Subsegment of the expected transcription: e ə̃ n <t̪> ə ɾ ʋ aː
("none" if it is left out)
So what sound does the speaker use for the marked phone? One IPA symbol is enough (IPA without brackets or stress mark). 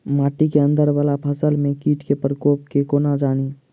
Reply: d̪